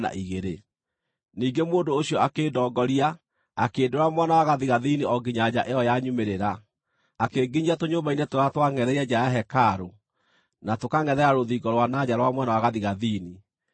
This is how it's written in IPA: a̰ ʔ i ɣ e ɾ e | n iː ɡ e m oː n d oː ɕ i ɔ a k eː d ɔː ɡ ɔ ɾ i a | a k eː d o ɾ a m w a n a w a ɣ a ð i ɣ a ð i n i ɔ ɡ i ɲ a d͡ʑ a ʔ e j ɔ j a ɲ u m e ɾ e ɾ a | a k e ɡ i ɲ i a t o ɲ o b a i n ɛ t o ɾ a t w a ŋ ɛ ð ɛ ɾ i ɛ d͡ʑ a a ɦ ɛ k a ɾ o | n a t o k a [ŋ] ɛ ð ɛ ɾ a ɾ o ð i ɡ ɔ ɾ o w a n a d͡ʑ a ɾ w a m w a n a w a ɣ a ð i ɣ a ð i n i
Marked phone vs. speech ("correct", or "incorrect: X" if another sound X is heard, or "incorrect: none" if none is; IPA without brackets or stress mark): correct